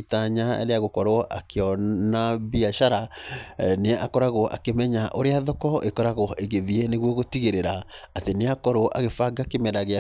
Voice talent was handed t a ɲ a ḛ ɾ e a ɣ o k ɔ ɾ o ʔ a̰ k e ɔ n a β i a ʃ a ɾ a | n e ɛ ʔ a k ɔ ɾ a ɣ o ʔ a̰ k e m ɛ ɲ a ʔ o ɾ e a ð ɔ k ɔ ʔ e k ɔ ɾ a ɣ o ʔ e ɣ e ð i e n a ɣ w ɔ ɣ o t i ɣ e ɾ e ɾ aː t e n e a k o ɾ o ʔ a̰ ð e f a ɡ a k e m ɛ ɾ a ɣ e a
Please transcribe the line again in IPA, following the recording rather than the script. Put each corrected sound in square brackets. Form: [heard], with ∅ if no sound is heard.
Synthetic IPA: t a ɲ a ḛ ɾ e a ɣ o k ɔ ɾ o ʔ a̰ k e ɔ n a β i a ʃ a ɾ a | n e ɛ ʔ a k ɔ ɾ a ɣ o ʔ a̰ k e m ɛ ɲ a ʔ o ɾ e a ð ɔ k ɔ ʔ e k ɔ ɾ a ɣ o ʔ e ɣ e ð i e n [e] ɣ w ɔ ɣ o t i ɣ e ɾ e ɾ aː t e n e a k [ɔ] ɾ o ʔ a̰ [ɣ] e f a ɡ a k e m ɛ ɾ a ɣ e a